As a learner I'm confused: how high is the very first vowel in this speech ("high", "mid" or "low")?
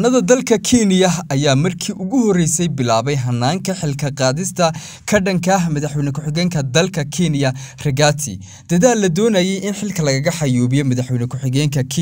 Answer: low